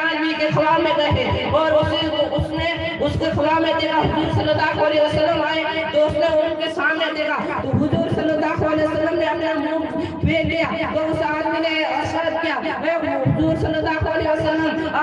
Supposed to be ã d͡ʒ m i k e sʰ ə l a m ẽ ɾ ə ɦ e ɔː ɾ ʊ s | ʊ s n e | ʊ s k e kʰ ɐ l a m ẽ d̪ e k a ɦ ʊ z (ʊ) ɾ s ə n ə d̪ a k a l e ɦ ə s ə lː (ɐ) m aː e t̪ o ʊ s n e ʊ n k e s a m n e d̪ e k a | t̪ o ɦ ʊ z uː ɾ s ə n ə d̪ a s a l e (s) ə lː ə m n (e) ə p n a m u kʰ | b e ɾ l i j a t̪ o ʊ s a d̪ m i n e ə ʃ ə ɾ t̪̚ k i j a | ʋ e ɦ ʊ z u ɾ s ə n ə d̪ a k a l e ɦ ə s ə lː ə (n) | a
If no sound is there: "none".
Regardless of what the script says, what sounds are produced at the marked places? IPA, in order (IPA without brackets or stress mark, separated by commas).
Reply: u, ə, s, e, m